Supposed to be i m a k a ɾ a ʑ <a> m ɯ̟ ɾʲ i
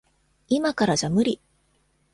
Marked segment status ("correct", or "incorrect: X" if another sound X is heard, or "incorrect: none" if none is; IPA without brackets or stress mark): correct